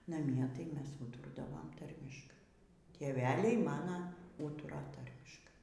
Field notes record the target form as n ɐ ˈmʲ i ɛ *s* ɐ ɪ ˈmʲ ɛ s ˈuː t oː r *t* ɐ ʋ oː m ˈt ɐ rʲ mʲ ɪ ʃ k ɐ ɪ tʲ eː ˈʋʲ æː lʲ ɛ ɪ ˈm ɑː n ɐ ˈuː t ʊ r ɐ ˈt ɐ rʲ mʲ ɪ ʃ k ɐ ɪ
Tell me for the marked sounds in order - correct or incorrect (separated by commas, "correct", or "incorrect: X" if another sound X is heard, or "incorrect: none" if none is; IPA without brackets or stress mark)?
incorrect: t, incorrect: d